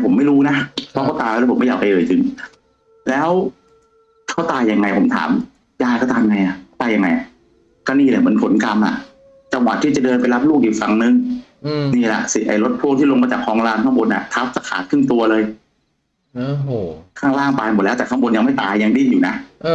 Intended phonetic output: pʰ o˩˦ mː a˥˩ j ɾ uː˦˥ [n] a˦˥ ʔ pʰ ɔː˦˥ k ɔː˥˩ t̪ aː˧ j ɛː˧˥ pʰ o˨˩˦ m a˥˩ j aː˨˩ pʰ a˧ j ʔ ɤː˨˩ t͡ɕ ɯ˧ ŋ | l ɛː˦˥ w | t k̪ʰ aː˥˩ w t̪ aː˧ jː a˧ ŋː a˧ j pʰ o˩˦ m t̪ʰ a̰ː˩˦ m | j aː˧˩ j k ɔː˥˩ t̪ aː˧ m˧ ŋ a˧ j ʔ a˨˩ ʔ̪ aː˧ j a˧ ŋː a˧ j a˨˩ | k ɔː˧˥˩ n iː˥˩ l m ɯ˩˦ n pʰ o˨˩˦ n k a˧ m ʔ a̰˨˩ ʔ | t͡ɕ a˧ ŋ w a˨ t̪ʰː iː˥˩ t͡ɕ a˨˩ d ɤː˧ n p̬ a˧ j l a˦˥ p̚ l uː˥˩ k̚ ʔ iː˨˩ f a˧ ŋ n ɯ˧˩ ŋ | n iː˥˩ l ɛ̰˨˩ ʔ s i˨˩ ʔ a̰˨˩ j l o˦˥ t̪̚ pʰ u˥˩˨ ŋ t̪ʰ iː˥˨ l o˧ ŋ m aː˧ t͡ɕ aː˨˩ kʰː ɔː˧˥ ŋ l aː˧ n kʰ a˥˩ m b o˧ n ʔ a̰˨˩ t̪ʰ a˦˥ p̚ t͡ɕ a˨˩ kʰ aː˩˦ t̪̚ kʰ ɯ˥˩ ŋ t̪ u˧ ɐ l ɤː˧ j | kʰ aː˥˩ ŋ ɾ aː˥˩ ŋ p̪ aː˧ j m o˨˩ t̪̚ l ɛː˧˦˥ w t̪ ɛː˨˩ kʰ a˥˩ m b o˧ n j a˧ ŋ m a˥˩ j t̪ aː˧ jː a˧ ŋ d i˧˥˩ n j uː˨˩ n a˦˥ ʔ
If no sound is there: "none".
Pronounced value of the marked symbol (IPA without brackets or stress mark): n